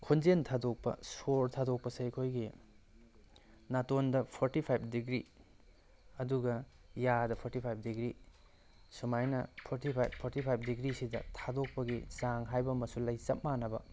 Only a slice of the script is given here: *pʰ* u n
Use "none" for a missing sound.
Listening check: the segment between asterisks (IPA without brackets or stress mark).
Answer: kʰ